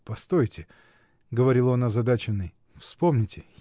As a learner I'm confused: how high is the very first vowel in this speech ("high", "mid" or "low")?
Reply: low